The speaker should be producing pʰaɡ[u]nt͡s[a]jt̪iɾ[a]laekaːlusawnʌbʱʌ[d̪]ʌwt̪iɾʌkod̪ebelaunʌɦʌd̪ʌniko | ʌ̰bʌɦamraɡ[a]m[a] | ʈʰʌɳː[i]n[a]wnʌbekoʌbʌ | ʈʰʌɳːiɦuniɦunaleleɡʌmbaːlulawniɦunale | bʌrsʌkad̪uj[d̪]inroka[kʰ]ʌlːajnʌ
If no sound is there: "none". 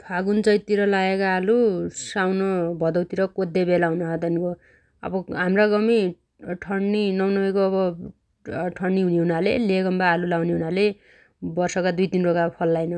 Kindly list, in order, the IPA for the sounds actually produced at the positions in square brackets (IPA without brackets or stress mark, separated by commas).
u, ʌ, ʌ, d̪, ʌ, i, i, ʌ, t̪, pʰ